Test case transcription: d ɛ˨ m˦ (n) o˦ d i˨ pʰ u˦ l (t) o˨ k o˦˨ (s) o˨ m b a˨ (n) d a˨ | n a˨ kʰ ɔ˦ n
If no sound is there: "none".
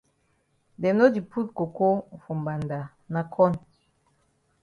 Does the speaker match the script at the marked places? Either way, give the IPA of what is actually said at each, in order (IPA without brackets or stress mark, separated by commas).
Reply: n, k, f, n